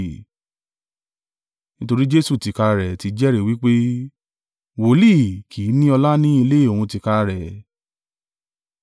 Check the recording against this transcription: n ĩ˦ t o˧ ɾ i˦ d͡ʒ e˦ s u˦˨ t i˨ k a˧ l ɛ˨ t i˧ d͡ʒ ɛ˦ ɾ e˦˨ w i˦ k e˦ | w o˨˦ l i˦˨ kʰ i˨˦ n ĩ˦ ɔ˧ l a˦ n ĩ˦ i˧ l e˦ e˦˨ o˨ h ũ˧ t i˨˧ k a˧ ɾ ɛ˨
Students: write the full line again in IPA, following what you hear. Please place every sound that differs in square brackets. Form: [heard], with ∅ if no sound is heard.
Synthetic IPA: n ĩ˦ t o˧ ɾ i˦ d͡ʒ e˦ s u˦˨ t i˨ k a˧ [ɾ] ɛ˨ t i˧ d͡ʒ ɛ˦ ɾ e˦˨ w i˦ [k͡p] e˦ | w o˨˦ l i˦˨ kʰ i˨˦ n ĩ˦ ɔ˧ l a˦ n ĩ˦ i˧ l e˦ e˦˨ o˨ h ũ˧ t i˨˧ k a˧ ɾ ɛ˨